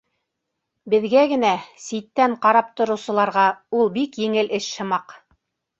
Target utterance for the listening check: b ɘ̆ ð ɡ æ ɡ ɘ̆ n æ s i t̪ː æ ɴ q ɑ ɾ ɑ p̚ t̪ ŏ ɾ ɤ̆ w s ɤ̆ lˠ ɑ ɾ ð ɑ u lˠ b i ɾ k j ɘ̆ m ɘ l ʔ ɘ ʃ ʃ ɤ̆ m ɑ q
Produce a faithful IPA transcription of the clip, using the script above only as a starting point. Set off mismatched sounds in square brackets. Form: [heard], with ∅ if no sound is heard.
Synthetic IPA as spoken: b ɘ̆ ð ɡ æ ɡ ɘ̆ n æ s i t̪ː æ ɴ q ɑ ɾ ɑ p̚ t̪ ŏ ɾ ɤ̆ w s ɤ̆ lˠ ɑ ɾ [ʁ] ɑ u lˠ b i [∅] k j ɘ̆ [ŋ] ɘ l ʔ ɘ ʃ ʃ ɤ̆ m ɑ q